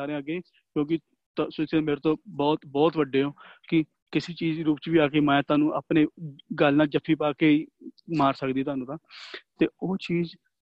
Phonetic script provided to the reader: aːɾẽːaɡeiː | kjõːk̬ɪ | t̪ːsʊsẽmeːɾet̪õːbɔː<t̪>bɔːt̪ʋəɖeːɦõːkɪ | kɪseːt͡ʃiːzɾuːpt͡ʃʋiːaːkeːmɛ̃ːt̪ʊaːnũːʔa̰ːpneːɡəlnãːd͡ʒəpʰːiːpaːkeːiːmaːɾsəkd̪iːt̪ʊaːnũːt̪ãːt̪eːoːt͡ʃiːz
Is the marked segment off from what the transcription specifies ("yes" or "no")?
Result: no